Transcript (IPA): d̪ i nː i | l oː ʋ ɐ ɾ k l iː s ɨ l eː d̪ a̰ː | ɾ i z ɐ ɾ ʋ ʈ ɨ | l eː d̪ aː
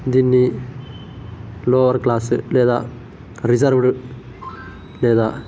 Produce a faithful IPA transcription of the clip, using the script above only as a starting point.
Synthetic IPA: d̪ i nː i | l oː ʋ ɐ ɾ k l aː s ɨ l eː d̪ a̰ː | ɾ i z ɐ ɾ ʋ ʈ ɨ | l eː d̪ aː